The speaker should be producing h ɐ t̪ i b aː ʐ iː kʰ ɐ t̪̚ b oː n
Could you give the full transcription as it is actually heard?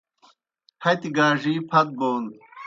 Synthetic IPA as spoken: h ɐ t̪ i ɡ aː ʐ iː pʰ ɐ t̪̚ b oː n